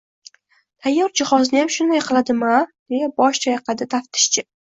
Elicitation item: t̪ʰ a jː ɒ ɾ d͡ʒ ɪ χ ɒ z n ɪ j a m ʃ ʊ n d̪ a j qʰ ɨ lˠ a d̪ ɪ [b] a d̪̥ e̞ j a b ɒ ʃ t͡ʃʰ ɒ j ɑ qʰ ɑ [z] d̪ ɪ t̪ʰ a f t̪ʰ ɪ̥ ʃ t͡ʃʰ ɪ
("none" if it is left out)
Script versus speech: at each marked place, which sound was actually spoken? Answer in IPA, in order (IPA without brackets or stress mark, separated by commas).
m, none